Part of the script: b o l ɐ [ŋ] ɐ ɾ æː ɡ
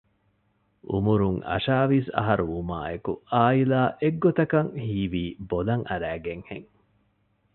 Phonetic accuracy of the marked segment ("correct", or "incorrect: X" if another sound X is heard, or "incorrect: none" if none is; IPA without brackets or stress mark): correct